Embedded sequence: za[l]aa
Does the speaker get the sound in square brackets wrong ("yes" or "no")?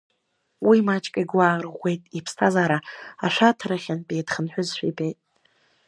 yes